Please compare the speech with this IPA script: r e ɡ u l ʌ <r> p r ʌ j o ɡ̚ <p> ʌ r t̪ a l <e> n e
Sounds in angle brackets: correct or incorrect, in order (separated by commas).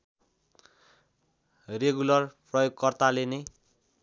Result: correct, incorrect, correct